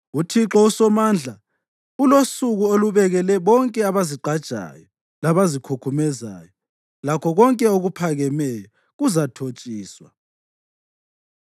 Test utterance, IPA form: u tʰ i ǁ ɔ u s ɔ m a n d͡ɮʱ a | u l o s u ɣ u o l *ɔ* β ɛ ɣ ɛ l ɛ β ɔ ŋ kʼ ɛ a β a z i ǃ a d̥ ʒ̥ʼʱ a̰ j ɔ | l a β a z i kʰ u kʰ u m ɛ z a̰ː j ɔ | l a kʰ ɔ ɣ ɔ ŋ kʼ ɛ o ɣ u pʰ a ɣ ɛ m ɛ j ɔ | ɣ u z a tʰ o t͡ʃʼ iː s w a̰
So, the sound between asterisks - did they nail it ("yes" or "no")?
no